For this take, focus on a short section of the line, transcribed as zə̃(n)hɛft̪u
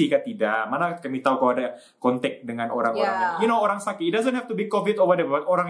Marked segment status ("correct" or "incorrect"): correct